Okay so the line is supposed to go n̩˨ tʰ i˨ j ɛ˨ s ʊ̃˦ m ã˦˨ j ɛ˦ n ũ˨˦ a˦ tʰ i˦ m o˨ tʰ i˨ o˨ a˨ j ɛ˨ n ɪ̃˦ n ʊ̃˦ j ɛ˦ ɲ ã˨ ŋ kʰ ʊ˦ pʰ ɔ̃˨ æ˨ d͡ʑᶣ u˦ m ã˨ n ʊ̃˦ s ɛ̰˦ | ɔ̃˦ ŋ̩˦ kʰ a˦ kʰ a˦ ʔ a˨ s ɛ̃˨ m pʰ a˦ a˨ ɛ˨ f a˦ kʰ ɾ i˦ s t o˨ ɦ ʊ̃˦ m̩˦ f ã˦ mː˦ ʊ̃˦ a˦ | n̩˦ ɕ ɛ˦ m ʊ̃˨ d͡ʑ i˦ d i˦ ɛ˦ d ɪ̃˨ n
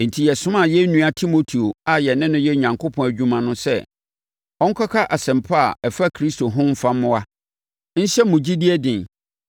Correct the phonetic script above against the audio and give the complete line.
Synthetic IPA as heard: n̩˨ tʰ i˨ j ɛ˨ s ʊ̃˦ m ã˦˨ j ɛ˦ n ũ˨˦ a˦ tʰ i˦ m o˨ tʰ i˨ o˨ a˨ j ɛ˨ n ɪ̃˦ n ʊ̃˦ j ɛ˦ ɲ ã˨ ŋ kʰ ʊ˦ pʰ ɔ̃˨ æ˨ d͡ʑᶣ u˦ m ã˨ n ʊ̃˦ s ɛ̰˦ | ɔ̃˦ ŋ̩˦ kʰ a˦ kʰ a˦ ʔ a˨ s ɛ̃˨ m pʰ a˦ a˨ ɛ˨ f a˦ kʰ ɾ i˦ s t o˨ ɦ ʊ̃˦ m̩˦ f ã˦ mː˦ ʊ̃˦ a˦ | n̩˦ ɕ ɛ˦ m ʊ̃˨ d͡ʑ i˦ d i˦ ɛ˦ d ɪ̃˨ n